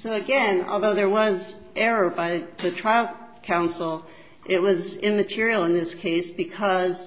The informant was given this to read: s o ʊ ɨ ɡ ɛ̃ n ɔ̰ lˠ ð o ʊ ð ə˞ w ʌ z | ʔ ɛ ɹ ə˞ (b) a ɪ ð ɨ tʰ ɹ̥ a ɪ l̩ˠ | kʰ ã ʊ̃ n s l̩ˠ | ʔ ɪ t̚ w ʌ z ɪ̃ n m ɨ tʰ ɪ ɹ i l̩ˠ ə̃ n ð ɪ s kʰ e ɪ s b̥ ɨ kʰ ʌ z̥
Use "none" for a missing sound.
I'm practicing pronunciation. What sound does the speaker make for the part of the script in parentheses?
b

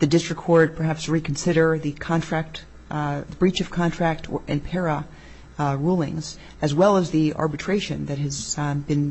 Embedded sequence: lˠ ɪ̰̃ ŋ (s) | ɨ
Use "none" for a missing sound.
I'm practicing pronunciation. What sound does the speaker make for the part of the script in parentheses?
z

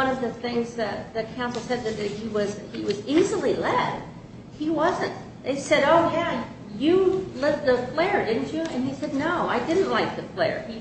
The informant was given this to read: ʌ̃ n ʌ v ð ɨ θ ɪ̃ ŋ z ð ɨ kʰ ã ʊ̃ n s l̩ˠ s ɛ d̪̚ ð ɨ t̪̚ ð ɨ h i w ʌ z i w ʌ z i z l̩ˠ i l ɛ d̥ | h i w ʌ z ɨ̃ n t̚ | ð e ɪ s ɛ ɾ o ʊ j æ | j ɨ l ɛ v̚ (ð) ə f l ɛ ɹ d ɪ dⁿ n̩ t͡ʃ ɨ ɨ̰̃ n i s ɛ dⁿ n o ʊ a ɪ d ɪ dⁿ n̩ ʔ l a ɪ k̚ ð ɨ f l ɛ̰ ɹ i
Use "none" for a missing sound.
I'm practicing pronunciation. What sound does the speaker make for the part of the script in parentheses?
ð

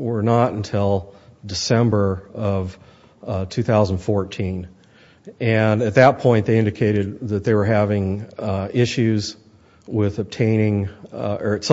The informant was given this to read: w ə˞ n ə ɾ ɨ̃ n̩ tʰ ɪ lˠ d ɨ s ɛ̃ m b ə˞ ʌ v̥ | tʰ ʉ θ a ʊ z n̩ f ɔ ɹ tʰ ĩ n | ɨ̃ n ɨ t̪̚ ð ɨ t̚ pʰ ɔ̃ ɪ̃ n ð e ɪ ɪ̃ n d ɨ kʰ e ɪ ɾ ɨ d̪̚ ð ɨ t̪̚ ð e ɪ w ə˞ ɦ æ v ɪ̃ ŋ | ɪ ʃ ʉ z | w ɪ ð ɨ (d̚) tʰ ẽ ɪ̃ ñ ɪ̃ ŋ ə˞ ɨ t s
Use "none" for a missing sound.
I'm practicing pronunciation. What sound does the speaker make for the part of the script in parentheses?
b̚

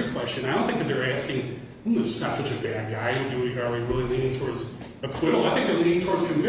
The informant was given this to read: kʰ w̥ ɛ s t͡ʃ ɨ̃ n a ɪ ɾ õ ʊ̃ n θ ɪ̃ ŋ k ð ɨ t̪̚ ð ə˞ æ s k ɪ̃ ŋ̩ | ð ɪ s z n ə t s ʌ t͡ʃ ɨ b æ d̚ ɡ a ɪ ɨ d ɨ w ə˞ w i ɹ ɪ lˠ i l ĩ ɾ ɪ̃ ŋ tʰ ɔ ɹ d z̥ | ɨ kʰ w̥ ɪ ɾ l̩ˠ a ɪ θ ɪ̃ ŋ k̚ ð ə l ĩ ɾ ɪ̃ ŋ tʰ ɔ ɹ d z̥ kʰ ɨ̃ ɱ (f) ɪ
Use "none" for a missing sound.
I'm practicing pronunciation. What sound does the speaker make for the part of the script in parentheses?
v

